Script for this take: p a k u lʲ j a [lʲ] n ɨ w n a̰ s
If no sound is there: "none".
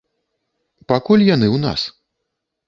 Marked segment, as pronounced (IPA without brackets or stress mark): none